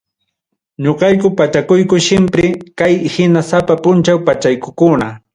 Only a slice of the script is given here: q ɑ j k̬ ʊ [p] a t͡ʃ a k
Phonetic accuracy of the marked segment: correct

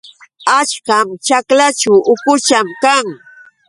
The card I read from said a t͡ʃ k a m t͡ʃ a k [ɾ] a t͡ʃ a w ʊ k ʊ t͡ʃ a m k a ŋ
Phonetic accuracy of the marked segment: incorrect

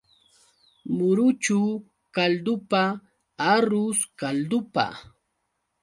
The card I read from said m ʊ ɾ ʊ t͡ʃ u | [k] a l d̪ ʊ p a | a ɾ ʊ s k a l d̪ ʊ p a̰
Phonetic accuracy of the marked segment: correct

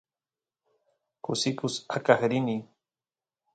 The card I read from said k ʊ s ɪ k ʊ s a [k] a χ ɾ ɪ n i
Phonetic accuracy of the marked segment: correct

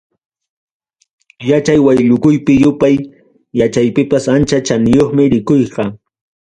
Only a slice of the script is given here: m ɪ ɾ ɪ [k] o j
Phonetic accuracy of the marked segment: correct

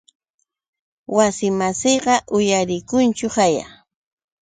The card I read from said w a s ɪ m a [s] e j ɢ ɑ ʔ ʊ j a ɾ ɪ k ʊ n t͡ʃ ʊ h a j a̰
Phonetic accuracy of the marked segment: correct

